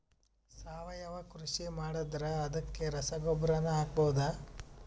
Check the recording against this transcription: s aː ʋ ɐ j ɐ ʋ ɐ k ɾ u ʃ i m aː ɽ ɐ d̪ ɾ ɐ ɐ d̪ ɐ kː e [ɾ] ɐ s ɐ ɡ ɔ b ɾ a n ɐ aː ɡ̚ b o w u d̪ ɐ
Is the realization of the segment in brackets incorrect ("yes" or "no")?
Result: no